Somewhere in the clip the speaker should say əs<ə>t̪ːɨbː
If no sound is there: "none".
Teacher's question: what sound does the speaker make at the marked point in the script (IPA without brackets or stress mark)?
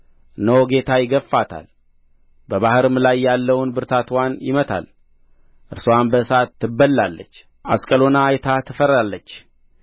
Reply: a